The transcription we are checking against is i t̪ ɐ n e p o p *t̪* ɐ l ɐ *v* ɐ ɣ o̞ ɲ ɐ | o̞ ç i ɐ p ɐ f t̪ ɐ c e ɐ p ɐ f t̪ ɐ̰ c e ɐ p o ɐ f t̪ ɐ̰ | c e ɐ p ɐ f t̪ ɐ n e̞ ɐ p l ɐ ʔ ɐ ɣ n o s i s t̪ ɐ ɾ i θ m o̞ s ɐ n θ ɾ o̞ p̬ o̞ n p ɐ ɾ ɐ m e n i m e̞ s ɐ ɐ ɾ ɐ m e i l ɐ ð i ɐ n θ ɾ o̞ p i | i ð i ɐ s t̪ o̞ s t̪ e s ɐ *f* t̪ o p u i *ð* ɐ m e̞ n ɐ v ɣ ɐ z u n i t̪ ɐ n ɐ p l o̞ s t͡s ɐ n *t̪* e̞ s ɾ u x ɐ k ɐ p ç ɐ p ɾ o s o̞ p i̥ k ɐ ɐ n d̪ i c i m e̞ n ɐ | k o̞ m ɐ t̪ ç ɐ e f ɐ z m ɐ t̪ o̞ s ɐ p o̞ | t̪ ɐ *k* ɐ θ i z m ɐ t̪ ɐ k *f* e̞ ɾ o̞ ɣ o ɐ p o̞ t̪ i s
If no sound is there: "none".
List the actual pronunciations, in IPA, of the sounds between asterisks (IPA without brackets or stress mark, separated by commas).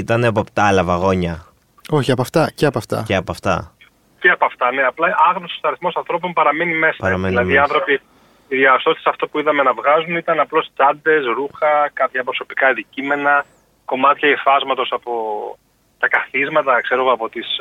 t̪, v, f, ð, d̪, k, s